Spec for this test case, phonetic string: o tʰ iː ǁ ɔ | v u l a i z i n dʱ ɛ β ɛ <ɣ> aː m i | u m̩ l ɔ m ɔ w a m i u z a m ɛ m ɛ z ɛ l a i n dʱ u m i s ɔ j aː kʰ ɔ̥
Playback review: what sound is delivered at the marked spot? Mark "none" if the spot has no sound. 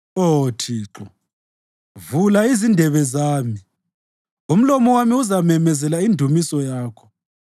z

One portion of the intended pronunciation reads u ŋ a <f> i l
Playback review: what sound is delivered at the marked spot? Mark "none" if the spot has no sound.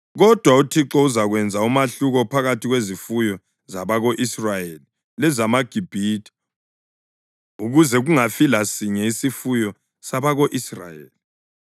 f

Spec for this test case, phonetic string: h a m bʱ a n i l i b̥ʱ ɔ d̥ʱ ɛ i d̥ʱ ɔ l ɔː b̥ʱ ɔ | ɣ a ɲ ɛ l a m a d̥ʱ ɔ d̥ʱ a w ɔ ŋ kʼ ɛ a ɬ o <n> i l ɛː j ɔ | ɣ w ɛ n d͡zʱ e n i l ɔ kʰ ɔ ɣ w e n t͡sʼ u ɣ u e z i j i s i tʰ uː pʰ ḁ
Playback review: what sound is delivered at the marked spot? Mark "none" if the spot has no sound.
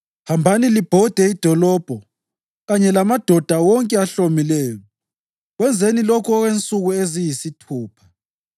m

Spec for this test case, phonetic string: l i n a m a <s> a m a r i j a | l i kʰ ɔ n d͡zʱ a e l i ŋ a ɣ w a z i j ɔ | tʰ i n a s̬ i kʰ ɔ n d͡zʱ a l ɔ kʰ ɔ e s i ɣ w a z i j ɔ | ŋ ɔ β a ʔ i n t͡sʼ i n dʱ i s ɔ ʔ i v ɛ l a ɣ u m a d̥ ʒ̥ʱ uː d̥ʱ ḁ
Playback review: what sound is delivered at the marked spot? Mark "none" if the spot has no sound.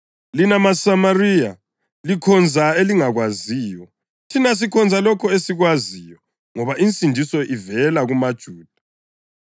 s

